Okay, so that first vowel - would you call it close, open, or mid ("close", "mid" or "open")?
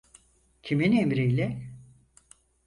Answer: close